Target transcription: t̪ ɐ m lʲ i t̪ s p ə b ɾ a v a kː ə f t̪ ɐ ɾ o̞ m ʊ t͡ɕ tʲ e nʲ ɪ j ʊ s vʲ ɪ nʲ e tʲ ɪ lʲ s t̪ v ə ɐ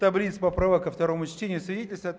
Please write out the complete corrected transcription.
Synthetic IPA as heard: t̪ ɐ b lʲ i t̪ s p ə p ɾ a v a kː ə f t̪ ɐ ɾ o̞ m ʊ t͡ɕ tʲ e nʲ ɪ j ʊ s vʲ ɪ dʲ e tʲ ɪ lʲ s t̪ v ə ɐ